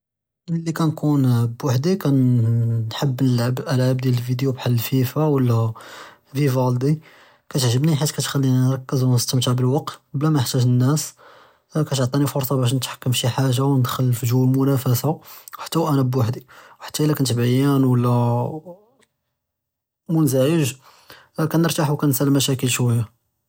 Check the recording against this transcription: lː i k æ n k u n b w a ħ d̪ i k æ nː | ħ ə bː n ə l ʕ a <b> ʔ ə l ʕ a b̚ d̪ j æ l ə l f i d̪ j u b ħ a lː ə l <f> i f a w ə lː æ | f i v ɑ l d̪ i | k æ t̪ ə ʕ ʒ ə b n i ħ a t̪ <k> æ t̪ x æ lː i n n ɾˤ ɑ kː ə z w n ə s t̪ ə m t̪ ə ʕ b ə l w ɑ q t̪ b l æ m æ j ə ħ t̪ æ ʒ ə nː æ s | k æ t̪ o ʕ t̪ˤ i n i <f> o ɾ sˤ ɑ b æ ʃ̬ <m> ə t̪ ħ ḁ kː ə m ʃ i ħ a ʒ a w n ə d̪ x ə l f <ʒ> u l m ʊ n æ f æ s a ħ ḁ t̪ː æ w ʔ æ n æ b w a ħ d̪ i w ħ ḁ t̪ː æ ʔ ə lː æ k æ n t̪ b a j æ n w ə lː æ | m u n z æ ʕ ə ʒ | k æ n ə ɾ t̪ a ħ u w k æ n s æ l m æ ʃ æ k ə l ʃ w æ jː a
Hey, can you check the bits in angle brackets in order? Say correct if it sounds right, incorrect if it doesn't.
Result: correct, correct, correct, correct, incorrect, correct

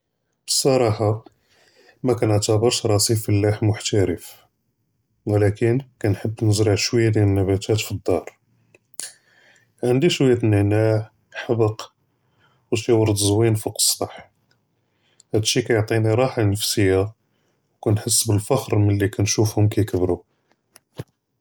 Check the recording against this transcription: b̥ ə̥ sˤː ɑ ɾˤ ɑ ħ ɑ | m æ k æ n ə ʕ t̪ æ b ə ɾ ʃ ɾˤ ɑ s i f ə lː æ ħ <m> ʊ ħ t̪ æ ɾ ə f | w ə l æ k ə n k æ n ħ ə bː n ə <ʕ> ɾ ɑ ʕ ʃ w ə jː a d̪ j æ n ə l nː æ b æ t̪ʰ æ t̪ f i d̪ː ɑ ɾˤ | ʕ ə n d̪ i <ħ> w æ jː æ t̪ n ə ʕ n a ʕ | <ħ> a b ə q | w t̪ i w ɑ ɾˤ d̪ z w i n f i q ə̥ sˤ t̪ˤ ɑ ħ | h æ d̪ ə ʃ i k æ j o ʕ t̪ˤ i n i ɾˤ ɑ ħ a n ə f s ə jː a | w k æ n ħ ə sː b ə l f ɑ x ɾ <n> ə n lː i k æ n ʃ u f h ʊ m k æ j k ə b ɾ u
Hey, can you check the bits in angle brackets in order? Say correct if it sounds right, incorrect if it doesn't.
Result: correct, incorrect, incorrect, correct, incorrect

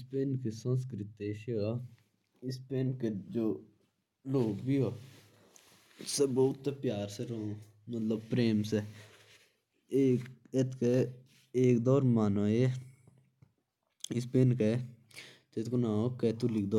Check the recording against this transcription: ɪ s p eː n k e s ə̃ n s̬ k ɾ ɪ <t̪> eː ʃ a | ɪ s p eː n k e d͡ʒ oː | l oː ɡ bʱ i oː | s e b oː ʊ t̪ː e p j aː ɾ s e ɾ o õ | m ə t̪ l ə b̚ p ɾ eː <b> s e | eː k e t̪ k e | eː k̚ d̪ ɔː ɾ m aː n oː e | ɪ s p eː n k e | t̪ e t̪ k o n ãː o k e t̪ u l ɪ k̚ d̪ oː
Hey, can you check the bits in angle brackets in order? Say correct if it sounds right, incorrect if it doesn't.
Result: correct, incorrect

